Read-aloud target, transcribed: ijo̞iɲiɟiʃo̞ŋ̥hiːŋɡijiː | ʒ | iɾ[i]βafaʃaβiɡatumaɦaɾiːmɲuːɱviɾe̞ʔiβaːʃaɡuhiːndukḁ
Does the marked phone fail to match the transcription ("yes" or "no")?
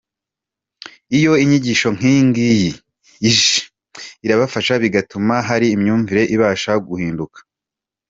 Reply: yes